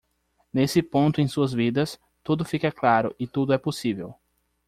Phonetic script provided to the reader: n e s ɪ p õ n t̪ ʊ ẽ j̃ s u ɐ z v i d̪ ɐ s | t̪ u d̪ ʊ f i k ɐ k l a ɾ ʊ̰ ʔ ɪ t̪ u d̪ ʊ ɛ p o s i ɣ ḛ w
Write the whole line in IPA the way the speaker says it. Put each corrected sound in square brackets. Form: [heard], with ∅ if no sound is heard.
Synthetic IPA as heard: n e s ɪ p õ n t̪ ʊ ẽ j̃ s u ɐ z v i d̪ ɐ s | t̪ u d̪ ʊ f i k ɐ k l a ɾ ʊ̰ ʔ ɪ t̪ u d̪ ʊ ɛ p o s i [v] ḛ w

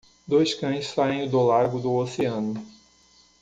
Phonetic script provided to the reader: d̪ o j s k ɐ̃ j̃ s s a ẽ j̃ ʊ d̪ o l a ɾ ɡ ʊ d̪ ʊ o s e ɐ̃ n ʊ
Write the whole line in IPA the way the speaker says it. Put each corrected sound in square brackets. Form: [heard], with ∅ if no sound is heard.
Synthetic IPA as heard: d̪ o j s k ɐ̃ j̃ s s a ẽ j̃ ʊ d̪ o l a ɾ ɡ ʊ d̪ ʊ o s e ɐ̃ n ʊ

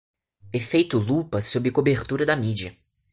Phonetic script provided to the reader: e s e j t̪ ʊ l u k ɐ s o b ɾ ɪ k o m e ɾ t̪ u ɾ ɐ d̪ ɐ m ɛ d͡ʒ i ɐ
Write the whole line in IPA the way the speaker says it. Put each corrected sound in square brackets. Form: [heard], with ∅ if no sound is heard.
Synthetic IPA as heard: e [f] e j t̪ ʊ l u [p] ɐ s o b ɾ ɪ k o [b] e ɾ t̪ u ɾ ɐ d̪ ɐ m [i] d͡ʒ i ɐ

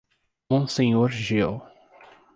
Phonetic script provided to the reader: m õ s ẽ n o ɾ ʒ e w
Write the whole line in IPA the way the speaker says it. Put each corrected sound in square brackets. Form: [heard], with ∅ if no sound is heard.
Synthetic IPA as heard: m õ s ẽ [ɲ] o ɾ ʒ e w

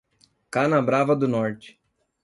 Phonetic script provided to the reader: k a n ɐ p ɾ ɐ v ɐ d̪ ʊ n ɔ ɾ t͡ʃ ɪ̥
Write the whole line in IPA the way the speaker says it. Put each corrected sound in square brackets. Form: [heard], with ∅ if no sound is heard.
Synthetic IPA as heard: k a n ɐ [b] ɾ [a] v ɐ d̪ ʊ n ɔ ɾ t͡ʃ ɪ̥

